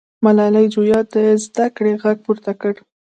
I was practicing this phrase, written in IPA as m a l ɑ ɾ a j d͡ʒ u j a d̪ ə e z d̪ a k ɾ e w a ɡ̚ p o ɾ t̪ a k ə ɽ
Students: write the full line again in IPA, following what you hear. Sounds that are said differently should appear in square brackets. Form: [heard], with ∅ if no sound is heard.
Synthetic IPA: m a l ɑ [l] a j d͡ʒ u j [ɑ] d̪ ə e z d̪ a k [ɽ] e [ɣ] a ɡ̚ p [u] ɾ t̪ a k ə ɽ